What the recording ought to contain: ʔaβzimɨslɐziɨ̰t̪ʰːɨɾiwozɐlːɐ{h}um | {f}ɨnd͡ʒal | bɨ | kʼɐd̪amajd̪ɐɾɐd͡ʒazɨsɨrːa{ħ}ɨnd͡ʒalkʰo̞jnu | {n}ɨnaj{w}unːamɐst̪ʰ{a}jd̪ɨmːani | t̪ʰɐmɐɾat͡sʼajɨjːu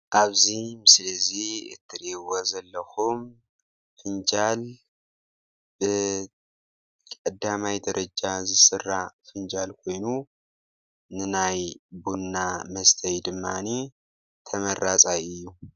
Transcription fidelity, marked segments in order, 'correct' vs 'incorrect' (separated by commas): incorrect, correct, incorrect, correct, incorrect, incorrect